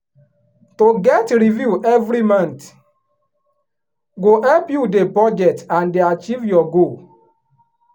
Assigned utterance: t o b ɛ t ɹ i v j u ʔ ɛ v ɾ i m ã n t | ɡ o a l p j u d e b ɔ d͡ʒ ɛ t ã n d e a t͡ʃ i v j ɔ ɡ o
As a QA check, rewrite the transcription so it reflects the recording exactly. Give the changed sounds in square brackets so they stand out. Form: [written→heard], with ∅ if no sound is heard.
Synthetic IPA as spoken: t o [b→ɡ] ɛ t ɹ i v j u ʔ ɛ v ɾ i m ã n t | ɡ o [a→ɛ] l p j u d e b ɔ d͡ʒ ɛ t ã n d e a t͡ʃ i v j ɔ ɡ o

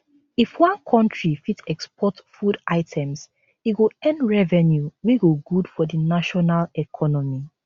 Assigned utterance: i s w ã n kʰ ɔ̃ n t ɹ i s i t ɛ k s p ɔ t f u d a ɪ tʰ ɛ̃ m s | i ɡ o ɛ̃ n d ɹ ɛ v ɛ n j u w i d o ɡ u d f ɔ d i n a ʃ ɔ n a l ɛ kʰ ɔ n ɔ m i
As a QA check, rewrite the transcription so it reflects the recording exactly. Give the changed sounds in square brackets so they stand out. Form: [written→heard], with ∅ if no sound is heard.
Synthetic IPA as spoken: i [s→f] w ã n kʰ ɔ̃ n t ɹ i [s→f] i t ɛ k s p ɔ t f u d a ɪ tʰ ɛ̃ m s | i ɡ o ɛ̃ n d ɹ ɛ v ɛ n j u w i [d→ɡ] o ɡ u d f ɔ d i n a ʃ ɔ n a l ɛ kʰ ɔ n ɔ m i

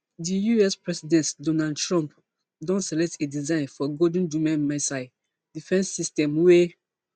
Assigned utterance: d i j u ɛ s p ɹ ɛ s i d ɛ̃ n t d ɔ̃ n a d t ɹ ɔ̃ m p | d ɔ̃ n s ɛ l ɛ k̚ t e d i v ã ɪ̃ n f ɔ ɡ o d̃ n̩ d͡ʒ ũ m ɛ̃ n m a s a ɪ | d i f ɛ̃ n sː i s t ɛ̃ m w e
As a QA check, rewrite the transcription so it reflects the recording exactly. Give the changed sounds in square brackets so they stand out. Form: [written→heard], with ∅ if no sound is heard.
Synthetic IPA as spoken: d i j u ɛ s p ɹ ɛ s i d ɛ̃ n t d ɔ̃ n a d t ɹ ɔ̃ m p | d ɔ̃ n s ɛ l ɛ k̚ t e d i [v→z] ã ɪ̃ n f ɔ ɡ o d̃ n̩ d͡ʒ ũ m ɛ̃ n m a s a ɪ | d i f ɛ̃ n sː i s t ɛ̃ m w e

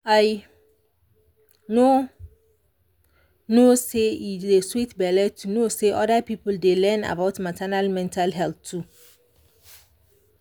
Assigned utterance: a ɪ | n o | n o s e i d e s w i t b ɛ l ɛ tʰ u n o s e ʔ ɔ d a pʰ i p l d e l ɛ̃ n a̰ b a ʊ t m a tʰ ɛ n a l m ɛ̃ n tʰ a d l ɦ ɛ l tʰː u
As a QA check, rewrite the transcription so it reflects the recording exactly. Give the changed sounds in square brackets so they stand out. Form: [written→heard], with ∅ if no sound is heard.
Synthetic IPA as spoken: a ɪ | n o | n o s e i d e s w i t b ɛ l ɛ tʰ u n o s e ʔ ɔ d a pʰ i p l d e l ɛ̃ n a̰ b a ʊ t m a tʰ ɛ n a l m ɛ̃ n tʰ a [d→∅] l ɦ ɛ l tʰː u

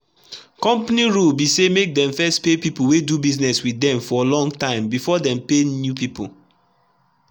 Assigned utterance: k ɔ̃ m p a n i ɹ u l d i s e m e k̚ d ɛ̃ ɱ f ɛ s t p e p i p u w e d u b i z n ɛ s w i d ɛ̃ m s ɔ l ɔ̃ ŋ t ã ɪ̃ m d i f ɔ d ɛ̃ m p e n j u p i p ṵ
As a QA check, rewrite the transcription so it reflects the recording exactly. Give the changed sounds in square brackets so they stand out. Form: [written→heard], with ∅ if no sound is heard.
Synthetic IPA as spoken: k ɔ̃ m p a n i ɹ u l [d→b] i s e m e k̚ d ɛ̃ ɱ f ɛ s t p e p i p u w e d u b i z n ɛ s w i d ɛ̃ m [s→f] ɔ l ɔ̃ ŋ t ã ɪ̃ m [d→b] i f ɔ d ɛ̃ m p e n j u p i p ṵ

